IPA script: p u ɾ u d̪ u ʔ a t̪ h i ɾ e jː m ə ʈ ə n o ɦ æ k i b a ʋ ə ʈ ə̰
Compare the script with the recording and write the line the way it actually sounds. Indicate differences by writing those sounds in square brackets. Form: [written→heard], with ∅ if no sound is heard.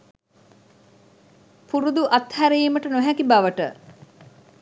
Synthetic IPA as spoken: p u ɾ u d̪ u ʔ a t̪ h [i→æ] ɾ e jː m ə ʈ ə n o ɦ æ k i b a ʋ ə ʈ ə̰